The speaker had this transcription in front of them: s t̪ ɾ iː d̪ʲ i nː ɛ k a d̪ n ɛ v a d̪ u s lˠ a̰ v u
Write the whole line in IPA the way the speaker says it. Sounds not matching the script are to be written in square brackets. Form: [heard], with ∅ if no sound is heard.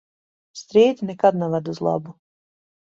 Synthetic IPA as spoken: s t̪ ɾ iː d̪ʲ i [n] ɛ k a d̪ n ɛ v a d̪ u [z] lˠ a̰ [b] u